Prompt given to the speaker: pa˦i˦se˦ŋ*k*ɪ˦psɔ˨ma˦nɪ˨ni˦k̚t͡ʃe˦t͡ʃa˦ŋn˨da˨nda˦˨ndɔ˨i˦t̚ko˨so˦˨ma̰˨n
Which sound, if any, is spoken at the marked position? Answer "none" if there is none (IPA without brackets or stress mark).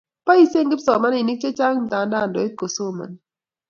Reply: ɡ